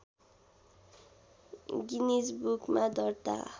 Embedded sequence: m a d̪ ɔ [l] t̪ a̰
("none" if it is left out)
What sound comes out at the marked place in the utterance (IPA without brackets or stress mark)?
ɾ